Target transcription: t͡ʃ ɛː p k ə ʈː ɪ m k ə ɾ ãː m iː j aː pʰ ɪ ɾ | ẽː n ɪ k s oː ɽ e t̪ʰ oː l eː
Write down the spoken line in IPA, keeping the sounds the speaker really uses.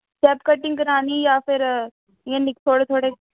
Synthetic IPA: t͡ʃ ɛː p k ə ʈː ɪ ŋ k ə ɾ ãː n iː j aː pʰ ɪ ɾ | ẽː n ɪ k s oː ɽ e t̪ʰ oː ɽ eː